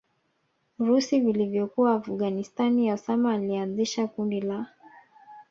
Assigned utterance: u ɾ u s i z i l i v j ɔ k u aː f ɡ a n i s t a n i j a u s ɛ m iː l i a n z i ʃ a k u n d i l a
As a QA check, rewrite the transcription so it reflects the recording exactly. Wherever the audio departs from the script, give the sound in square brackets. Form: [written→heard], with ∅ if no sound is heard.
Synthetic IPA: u ɾ u s i [z→v] i l i v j ɔ k u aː f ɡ a n i s t a n i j a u s [ɛ→a] m [iː→aː] l i a n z i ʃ a k u n d i l a